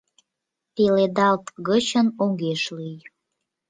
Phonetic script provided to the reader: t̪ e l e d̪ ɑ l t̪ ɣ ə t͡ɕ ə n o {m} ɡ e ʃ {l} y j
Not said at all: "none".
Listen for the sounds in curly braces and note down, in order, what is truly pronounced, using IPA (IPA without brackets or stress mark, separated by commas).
ŋ, l